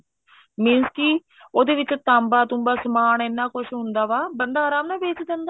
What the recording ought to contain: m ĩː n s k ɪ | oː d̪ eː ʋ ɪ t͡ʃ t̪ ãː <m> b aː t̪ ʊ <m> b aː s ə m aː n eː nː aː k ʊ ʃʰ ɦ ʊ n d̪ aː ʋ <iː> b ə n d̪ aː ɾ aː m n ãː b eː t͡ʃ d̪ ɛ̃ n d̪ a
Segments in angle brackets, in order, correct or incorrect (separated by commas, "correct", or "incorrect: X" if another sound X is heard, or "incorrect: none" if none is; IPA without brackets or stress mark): correct, correct, incorrect: aː